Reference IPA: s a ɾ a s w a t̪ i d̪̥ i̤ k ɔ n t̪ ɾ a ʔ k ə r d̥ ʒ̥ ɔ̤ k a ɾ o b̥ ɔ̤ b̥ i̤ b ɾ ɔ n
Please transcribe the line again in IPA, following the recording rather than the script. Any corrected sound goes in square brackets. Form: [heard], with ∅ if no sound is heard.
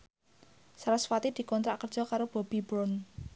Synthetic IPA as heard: s a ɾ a s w a t̪ i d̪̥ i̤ k ɔ n t̪ ɾ a ʔ k ə r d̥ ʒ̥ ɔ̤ k a ɾ o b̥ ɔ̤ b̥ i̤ b ɾ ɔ n